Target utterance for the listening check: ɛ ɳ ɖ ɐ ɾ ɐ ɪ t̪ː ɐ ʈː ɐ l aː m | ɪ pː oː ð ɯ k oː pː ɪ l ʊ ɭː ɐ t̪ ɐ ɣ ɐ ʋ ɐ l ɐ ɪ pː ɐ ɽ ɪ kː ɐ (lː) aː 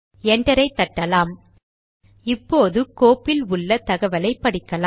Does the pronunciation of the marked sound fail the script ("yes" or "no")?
yes